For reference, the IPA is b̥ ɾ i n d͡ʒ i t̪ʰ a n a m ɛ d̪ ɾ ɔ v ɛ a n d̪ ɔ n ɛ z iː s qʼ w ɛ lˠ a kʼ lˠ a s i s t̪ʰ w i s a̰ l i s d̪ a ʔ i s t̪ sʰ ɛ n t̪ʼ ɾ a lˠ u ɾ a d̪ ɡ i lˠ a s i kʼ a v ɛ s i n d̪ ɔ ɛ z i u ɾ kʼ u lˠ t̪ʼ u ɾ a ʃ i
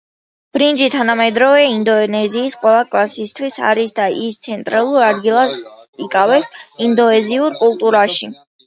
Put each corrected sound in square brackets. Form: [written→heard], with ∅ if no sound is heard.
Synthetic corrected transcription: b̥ ɾ i n d͡ʒ i t̪ʰ a n a m ɛ d̪ ɾ ɔ v ɛ [a→i] n d̪ ɔ n ɛ z iː s qʼ w ɛ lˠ a kʼ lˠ a s i s t̪ʰ w i s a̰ [l→ɾ] i s d̪ a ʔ i s t̪ sʰ ɛ n t̪ʼ ɾ a lˠ u ɾ a d̪ ɡ i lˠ a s i kʼ a v ɛ s i n d̪ ɔ ɛ z i u ɾ kʼ u lˠ t̪ʼ u ɾ a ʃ i